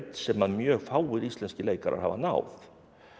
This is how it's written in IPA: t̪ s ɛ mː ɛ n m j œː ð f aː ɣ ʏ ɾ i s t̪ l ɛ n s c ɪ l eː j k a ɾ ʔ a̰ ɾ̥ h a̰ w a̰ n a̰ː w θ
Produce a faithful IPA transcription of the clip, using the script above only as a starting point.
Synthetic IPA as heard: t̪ s ɛ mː a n m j œː ɣ f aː w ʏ ɾ i s t̪ l ɛ n s c ɪ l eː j k a ɾ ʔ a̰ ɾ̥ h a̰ v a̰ n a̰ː w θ